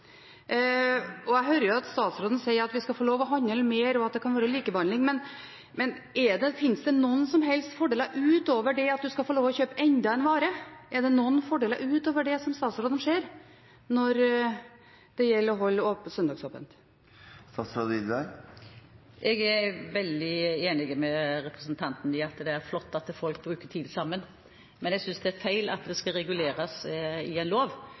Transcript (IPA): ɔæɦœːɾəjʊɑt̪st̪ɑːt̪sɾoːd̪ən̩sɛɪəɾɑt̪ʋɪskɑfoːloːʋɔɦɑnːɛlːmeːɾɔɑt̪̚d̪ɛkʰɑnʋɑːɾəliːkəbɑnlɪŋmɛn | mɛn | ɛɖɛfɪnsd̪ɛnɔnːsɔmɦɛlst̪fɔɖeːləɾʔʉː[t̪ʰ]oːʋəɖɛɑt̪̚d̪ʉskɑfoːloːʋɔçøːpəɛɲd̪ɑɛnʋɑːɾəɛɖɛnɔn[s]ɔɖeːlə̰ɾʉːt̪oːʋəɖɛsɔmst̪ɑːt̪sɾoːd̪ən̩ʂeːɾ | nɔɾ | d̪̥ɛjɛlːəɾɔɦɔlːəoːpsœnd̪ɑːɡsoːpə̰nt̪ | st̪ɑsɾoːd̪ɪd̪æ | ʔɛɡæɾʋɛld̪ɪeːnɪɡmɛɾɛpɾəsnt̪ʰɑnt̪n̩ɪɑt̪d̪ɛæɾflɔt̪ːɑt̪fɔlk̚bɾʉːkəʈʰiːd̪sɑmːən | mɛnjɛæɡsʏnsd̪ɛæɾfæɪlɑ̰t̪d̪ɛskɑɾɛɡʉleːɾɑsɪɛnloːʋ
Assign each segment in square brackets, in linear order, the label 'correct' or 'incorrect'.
incorrect: t̪, incorrect: f

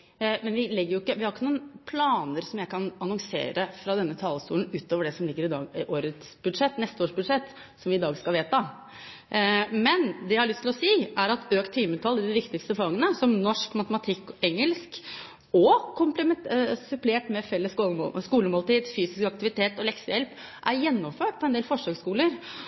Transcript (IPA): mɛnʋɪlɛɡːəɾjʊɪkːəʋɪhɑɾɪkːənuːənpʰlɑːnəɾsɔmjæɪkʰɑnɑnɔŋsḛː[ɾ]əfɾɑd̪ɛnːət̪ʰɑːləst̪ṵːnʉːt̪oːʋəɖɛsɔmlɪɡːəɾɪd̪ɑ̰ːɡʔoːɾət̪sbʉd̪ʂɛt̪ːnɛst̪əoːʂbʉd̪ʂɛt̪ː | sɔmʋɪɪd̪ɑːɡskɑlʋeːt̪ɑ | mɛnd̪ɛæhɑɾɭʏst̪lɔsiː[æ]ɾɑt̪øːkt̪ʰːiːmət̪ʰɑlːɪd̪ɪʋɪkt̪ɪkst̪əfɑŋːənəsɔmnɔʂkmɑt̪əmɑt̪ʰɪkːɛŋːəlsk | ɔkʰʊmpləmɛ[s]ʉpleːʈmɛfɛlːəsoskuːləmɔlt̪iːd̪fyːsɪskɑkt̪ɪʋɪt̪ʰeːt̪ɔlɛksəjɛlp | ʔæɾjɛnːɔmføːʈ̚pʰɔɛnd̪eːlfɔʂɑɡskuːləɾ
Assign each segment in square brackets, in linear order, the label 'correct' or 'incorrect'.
correct, correct, correct

